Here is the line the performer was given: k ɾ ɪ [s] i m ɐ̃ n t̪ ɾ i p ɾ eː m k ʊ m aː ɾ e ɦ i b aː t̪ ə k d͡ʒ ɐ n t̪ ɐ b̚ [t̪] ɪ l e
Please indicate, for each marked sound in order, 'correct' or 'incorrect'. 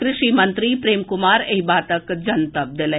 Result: incorrect: ʃ, incorrect: d̪

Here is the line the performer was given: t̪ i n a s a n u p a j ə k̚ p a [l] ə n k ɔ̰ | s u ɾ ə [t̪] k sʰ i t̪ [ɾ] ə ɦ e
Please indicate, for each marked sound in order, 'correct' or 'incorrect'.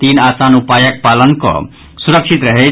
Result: correct, incorrect: none, correct

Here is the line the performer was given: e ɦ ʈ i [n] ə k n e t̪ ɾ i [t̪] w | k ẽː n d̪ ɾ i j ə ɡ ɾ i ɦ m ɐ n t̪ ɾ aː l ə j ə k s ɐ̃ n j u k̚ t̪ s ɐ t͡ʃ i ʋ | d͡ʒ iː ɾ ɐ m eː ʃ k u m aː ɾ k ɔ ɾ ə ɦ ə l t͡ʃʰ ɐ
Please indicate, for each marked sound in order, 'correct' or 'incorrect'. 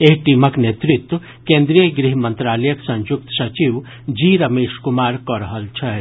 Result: incorrect: m, correct

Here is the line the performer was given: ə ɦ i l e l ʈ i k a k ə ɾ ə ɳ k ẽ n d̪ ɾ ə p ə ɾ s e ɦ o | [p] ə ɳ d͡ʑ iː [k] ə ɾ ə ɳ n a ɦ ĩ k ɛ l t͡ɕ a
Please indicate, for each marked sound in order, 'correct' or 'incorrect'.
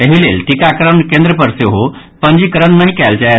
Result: correct, correct

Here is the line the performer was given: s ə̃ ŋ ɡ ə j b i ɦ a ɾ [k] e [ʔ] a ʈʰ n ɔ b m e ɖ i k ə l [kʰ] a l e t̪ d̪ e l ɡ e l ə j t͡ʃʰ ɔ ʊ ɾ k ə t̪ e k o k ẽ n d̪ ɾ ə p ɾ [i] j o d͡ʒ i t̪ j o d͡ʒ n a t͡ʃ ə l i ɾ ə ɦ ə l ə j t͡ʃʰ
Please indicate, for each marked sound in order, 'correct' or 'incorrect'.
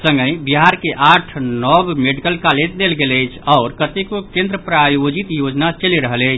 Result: correct, correct, incorrect: k, incorrect: a

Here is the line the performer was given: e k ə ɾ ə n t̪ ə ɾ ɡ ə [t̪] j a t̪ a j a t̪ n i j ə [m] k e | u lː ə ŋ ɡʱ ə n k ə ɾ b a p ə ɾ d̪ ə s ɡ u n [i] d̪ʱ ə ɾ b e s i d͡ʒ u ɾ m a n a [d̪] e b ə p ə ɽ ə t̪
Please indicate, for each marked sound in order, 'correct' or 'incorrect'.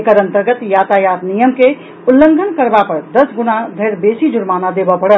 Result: correct, correct, incorrect: a, correct

